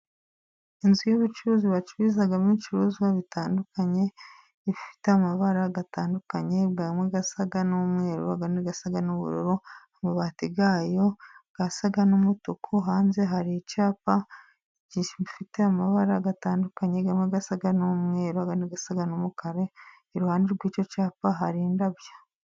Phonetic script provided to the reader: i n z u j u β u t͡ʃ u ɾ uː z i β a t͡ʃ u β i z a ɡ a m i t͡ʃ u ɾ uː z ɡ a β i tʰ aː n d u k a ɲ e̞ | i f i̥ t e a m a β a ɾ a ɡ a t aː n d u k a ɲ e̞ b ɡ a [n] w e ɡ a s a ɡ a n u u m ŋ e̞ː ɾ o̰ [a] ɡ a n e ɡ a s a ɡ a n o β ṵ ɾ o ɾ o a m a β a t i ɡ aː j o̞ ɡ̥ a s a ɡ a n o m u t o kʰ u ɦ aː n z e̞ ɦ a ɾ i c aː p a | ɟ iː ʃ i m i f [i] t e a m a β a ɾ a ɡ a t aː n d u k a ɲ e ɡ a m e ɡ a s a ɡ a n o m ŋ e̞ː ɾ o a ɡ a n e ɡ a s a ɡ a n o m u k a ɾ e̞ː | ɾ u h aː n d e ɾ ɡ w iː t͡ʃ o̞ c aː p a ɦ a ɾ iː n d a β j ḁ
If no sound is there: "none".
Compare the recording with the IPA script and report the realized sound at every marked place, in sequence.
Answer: m, a, i

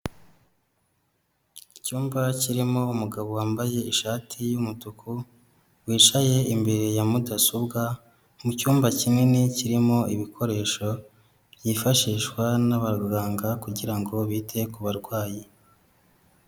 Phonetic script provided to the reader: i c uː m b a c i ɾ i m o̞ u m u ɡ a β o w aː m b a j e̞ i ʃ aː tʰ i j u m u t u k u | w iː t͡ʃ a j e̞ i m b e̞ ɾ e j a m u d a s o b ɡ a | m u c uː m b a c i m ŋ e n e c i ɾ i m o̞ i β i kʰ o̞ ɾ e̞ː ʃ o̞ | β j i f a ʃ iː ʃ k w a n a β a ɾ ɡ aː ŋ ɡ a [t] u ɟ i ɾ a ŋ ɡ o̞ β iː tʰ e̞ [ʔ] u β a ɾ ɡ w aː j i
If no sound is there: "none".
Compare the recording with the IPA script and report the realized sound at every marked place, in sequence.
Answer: k, k

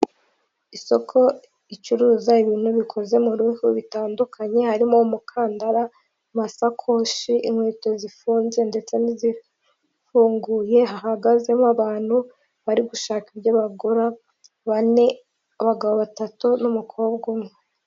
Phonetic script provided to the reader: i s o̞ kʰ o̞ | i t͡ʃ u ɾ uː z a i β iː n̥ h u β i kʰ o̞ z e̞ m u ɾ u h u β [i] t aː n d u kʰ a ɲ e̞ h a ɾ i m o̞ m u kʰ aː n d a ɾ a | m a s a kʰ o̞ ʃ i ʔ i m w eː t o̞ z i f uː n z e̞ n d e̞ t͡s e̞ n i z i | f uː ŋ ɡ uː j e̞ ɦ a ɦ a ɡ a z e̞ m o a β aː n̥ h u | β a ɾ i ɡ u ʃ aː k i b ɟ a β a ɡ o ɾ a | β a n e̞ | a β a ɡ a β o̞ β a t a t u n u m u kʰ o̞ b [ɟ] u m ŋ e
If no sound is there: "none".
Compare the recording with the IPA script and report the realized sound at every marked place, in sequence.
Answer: i, ɡ

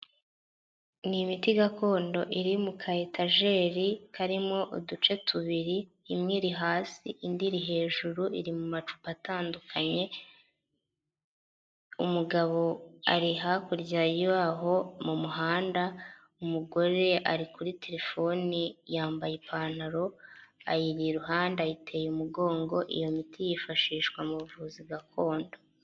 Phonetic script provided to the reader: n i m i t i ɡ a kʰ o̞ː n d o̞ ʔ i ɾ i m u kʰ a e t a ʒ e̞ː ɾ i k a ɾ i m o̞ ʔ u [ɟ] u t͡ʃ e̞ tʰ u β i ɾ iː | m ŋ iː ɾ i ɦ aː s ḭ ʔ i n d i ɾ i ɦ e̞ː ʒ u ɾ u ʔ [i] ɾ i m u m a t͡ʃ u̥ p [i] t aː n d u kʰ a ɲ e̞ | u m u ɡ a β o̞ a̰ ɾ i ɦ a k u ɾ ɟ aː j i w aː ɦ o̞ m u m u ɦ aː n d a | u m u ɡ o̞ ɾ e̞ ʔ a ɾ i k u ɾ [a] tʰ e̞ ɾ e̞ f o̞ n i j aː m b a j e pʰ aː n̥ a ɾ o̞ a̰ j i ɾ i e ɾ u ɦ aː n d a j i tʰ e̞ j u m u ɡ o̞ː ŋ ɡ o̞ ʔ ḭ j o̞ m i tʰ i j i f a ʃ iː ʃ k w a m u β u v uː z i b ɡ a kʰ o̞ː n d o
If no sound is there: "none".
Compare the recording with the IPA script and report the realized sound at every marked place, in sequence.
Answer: d, i, a, i

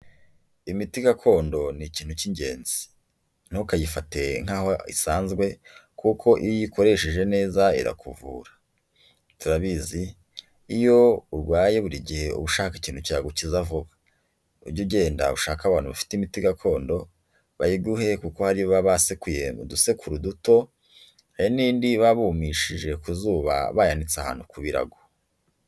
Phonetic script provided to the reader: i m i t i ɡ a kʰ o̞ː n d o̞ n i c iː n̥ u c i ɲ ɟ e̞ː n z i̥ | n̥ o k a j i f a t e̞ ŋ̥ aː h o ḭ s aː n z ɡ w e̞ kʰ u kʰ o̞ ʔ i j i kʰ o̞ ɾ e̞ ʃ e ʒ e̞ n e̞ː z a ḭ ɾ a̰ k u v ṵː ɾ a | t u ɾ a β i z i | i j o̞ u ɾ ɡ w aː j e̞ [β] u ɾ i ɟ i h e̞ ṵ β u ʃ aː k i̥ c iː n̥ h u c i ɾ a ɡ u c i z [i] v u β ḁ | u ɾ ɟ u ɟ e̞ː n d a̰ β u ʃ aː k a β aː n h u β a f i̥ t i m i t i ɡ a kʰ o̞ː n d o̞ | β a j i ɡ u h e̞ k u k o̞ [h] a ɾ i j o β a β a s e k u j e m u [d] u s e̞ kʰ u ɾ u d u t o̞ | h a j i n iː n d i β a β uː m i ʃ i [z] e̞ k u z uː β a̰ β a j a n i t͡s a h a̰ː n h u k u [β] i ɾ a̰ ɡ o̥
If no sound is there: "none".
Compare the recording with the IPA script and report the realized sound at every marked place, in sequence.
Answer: β, a, h, d, ʒ, β

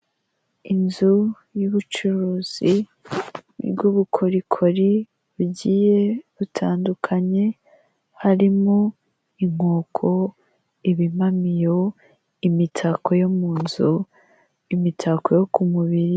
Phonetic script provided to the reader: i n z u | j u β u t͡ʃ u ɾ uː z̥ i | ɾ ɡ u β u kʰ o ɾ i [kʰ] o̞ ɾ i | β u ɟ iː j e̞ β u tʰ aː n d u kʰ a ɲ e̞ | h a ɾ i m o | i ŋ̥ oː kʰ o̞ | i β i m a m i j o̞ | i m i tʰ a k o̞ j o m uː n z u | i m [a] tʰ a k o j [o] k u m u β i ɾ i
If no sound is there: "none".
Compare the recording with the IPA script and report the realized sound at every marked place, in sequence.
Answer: kʰ, i, o

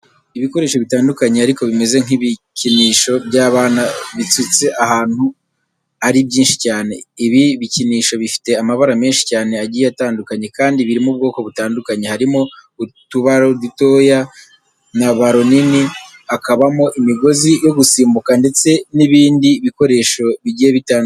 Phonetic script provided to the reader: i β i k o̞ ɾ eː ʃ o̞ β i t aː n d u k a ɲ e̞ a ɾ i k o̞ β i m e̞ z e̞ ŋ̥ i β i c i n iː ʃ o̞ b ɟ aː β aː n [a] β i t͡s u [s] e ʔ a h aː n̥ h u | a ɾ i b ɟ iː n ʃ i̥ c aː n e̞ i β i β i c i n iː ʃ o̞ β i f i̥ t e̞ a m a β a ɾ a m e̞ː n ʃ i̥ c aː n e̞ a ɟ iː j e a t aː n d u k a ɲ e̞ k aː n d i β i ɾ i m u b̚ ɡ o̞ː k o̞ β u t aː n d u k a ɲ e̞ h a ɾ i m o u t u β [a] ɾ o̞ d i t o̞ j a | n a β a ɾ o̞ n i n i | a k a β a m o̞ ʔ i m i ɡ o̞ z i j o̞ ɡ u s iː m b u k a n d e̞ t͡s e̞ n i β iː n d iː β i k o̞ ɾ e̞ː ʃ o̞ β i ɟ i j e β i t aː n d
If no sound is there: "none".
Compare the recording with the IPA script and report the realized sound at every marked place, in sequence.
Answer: a, t͡s, a

